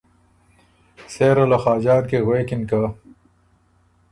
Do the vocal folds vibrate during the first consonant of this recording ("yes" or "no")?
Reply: no